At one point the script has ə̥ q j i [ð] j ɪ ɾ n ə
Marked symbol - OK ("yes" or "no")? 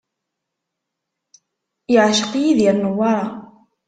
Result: yes